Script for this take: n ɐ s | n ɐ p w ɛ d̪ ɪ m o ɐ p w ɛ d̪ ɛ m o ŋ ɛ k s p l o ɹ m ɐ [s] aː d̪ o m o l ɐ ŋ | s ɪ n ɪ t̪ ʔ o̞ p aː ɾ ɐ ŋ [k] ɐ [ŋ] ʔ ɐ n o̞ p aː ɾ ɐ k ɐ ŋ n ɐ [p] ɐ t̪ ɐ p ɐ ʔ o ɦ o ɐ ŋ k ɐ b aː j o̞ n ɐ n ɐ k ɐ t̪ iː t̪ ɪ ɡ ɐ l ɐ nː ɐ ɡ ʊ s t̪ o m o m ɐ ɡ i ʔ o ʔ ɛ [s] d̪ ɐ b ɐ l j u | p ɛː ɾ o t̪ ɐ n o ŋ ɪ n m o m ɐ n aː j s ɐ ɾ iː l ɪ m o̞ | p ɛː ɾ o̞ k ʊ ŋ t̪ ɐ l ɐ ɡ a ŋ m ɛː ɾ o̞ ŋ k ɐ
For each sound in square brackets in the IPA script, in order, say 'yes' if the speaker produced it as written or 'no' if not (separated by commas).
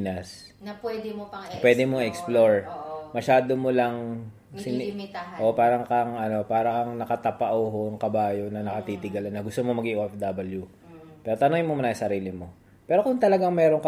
no, yes, yes, no, no